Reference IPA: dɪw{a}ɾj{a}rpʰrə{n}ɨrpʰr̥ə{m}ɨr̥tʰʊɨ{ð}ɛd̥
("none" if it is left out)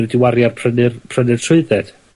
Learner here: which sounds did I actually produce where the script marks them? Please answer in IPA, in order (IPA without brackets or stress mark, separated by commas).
a, a, n, n, ð